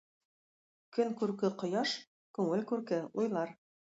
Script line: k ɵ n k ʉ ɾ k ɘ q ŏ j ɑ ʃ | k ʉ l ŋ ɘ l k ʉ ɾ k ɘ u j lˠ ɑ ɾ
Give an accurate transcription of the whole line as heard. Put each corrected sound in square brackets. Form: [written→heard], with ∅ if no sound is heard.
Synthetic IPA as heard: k ɵ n k ʉ ɾ k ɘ q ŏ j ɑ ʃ | k ʉ [l→∅] ŋ ɘ l k ʉ ɾ k ɘ u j lˠ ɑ ɾ